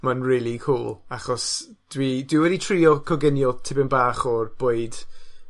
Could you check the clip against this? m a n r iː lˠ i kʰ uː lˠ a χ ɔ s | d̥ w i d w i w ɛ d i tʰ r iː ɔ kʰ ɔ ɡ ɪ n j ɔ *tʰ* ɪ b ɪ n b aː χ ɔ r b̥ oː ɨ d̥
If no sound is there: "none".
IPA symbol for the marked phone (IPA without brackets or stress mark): tʰ